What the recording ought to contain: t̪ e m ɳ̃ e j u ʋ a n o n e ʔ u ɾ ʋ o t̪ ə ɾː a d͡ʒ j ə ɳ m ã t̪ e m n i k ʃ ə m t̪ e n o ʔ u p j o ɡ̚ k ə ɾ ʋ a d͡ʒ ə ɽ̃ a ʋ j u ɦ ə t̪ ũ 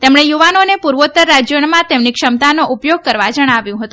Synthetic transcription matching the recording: t̪ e m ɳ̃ e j u ʋ a n o n e p u ɾ ʋ o t̪ ə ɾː a d͡ʒ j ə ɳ m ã t̪ e m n i k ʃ ə m t̪ a n o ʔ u p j o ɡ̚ k ə ɾ ʋ a d͡ʒ ə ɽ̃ a ʋ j ũ ɦ ə t̪ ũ